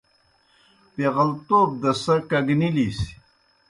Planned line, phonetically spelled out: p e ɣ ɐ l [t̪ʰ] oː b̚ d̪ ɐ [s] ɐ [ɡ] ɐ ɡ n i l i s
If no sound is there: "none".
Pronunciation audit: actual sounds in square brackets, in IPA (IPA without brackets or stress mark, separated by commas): t̪, s, k